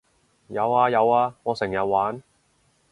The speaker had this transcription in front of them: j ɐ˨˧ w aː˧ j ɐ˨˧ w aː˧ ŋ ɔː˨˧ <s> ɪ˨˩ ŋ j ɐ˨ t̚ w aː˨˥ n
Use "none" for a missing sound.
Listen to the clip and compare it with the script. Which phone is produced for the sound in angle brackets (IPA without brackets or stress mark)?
s